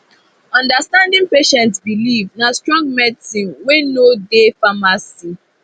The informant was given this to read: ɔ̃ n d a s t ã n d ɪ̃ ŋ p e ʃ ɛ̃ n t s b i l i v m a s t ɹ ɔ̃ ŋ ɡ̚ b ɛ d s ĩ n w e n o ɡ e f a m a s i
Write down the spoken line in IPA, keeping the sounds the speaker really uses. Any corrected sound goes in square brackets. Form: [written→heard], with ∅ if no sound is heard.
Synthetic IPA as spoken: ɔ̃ n d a s t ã n d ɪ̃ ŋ p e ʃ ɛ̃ n t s b i l i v [m→n] a s t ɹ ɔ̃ ŋ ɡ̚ [b→m] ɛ d s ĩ n w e n o [ɡ→d] e f a m a s i